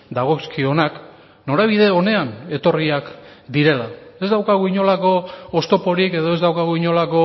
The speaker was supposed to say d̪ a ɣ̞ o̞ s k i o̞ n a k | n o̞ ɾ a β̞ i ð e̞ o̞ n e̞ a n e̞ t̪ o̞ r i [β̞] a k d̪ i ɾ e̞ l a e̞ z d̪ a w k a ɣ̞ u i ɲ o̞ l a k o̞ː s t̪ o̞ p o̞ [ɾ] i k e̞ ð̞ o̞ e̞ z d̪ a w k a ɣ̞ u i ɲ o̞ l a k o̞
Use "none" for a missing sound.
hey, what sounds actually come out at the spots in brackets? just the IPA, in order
none, ɾ

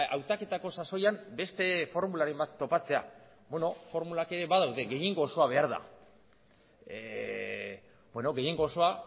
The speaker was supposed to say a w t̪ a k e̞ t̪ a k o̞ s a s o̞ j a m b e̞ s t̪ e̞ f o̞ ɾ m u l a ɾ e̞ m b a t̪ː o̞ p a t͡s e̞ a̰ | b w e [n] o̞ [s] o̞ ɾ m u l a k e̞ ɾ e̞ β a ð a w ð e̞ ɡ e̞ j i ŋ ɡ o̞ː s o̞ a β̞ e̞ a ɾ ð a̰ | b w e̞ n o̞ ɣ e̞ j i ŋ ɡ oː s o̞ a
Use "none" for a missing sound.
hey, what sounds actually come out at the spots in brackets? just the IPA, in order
n, f

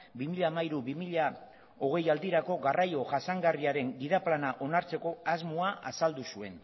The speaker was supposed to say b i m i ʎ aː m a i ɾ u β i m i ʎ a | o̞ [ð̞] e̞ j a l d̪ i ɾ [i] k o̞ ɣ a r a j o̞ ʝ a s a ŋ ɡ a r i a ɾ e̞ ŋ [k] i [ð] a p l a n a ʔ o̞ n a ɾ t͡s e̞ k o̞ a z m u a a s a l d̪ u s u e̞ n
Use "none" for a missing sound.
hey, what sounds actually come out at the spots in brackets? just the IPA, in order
ɣ̞, a, ɡ, ð

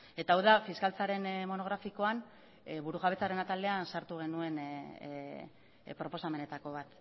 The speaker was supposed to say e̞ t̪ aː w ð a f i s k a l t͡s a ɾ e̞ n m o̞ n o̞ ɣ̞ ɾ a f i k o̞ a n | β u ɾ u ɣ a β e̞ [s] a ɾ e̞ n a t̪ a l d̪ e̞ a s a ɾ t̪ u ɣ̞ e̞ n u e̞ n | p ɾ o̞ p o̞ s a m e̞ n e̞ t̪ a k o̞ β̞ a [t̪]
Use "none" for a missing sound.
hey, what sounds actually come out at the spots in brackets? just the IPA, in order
t͡s, t̪

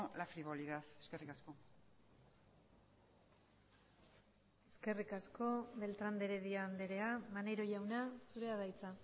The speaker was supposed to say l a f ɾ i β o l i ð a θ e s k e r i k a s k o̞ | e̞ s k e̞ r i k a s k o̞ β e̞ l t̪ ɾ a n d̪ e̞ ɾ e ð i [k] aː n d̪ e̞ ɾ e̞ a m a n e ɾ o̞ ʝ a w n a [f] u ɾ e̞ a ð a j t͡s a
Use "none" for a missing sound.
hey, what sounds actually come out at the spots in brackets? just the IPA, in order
none, s

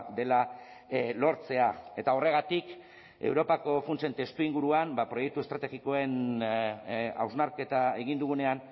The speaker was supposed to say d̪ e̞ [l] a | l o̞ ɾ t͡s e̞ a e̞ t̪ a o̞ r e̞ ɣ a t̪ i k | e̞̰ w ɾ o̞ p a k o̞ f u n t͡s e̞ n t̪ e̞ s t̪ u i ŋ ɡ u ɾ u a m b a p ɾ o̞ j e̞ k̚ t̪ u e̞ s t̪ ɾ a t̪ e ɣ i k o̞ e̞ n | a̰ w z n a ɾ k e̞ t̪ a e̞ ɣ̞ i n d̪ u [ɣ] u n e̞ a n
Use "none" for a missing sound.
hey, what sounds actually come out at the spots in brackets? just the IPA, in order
l, ɣ

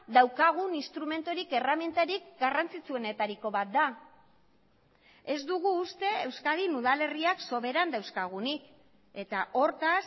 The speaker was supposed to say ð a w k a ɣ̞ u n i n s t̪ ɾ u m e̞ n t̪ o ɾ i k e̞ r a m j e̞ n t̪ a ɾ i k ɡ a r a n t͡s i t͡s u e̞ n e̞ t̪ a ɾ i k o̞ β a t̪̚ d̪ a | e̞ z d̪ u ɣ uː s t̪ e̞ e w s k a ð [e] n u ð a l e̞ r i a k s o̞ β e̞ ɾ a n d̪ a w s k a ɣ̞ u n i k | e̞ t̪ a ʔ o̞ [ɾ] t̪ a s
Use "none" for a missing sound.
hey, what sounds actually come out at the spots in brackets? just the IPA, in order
i, ɾ

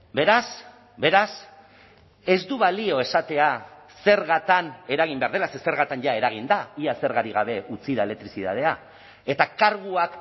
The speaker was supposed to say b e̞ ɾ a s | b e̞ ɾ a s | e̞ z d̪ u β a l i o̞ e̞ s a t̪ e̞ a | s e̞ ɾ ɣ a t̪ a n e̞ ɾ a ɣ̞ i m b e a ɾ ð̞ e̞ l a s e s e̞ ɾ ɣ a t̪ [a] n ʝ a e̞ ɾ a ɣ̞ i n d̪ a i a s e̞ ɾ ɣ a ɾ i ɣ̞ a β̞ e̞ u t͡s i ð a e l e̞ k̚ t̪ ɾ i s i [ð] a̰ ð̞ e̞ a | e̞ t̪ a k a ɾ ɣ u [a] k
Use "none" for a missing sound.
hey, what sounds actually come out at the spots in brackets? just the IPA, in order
a, ð, a

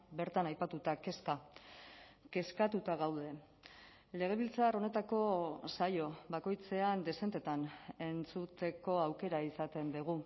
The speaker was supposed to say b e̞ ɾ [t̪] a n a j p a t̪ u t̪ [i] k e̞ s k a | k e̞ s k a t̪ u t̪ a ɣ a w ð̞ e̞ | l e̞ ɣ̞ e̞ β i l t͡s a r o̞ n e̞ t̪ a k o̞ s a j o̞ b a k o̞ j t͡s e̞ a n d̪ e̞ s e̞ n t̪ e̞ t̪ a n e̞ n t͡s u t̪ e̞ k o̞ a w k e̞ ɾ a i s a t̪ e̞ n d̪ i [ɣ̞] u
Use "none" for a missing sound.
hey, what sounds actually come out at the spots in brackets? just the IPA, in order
t̪, a, ɣ̞

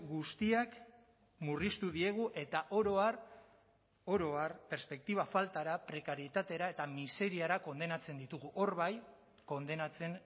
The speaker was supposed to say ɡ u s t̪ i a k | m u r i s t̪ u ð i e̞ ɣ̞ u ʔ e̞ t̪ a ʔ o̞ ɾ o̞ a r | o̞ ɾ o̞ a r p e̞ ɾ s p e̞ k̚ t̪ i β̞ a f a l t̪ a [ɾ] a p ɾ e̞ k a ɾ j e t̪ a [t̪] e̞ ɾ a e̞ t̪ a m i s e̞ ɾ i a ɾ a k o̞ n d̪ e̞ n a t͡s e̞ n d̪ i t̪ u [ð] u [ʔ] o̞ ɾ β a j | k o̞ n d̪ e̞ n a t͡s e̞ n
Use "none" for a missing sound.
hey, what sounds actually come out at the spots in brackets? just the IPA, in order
ɾ, t̪, ɣ, ʔ

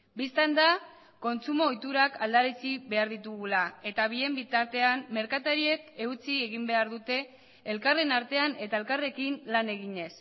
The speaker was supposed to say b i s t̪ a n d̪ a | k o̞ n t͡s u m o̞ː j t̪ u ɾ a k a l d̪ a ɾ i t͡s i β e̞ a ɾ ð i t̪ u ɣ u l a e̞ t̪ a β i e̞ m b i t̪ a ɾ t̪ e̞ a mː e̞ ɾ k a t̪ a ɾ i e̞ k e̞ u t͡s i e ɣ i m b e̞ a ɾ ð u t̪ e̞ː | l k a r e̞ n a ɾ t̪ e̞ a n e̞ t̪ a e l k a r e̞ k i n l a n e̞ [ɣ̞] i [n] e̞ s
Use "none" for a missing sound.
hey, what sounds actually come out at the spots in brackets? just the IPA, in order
ɣ̞, ɲ

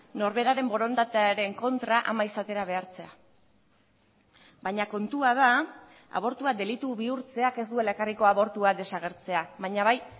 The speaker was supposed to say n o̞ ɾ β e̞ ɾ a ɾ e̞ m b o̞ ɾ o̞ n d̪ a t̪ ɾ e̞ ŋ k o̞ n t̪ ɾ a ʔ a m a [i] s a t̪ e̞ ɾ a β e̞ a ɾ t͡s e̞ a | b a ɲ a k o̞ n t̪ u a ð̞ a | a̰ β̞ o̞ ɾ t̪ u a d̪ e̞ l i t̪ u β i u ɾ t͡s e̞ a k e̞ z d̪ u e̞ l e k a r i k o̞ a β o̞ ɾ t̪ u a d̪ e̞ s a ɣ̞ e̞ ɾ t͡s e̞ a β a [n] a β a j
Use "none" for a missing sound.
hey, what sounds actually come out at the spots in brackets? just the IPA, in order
i, ɲ

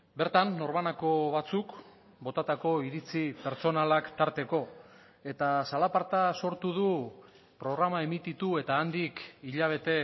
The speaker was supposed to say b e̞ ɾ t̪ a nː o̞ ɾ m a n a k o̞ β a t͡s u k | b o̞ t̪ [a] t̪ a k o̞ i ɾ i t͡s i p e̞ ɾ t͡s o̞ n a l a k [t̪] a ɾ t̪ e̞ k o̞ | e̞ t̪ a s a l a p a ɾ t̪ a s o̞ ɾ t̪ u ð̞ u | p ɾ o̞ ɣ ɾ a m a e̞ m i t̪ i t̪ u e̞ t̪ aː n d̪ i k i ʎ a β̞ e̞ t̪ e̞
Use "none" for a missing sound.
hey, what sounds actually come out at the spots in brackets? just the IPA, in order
a, t̪

